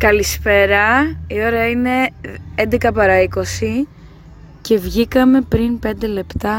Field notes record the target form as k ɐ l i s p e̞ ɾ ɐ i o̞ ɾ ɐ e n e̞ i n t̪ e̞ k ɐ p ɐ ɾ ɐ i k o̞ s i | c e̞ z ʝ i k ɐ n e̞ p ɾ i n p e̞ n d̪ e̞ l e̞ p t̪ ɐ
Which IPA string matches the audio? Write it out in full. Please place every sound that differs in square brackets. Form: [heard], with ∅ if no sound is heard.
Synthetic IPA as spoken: k ɐ l i s p e̞ ɾ ɐ i o̞ ɾ ɐ [i] n e̞ [e] n [d̪] e̞ k ɐ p ɐ ɾ ɐ i k o̞ s i | c e̞ [v] ʝ i k ɐ [m] e̞ p ɾ i n p e̞ n d̪ e̞ l e̞ p t̪ ɐ